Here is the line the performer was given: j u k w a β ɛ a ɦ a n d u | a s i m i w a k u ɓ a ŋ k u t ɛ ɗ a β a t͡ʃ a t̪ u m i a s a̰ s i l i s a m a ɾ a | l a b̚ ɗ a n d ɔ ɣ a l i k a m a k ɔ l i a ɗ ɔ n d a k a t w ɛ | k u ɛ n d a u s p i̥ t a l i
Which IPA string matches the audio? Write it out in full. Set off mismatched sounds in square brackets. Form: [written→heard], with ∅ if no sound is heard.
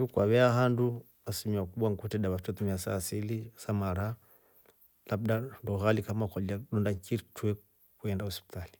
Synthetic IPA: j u k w a β ɛ a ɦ a n d u | a s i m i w a k u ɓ a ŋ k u t ɛ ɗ a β a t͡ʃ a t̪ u m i a s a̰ s i l i s a m a ɾ a | l a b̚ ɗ a n d ɔ ɣ a l i k a m a k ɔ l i a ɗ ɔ n d a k [a→i] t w ɛ | k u ɛ n d a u s p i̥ t a l i

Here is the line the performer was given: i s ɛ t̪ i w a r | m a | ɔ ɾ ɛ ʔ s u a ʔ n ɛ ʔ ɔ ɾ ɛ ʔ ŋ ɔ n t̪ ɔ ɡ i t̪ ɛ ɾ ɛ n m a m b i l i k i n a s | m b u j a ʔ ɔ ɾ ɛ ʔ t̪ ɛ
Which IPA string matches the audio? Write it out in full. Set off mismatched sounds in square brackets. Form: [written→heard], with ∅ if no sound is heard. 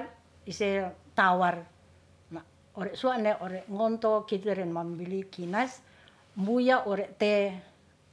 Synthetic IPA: i s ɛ t̪ [i→a] w a r | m a | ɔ ɾ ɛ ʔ s u a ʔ n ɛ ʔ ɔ ɾ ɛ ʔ ŋ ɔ n t̪ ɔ [ɡ→k] i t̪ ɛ ɾ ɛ n m a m b i l i k i n a s | m b u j a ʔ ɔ ɾ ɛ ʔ t̪ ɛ

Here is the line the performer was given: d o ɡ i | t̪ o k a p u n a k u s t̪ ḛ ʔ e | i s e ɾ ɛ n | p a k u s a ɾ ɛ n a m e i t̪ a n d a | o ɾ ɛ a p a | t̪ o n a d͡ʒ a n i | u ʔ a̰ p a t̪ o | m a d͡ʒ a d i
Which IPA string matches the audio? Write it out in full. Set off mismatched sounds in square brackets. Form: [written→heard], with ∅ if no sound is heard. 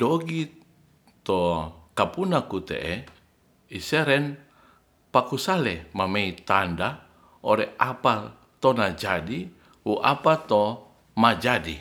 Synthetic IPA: d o ɡ i | t̪ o k a p u n a k u [s→∅] t̪ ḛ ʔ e | i s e ɾ ɛ n | p a k u s a [ɾ→l] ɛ [n→m] a m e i t̪ a n d a | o ɾ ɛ a p a | t̪ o n a d͡ʒ a [n→d] i | u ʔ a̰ p a t̪ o | m a d͡ʒ a d i

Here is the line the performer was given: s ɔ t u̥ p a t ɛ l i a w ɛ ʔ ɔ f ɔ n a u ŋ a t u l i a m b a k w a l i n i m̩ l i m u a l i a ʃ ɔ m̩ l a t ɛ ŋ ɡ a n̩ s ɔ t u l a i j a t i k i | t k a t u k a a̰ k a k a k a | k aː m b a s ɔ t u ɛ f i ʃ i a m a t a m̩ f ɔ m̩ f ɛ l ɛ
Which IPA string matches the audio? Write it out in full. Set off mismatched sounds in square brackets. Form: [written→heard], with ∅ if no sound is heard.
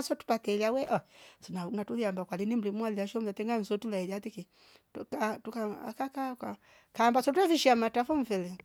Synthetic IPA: s ɔ t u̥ p a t ɛ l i a w ɛ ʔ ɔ [f→s] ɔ n a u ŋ a t u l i a m b a k w a l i n i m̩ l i m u a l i a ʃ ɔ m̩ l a t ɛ ŋ ɡ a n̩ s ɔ t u l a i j a t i k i | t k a t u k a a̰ k a k a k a | k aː m b a s ɔ t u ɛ f i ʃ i a m a t a [m̩→∅] f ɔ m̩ f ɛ l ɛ

